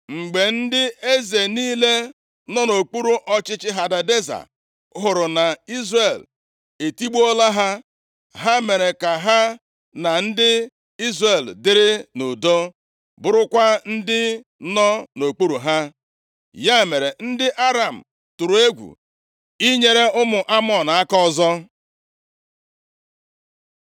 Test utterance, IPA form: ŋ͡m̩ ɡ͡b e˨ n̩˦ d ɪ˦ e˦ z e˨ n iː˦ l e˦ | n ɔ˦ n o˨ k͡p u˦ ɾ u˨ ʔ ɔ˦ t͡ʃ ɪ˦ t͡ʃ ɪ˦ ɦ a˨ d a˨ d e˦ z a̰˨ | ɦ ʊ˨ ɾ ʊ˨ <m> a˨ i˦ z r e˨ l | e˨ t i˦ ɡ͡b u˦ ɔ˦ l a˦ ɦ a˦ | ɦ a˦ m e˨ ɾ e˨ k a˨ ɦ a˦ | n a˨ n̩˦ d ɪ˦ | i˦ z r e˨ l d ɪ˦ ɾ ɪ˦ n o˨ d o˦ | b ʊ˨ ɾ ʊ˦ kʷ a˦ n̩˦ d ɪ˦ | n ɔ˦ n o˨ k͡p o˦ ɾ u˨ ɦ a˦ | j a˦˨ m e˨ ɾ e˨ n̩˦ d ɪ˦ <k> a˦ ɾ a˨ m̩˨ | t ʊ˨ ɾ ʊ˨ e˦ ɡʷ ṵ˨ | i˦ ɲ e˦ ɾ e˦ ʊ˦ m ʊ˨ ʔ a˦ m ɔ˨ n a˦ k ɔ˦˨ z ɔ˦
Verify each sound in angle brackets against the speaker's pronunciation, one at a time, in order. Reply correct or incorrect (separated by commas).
incorrect, incorrect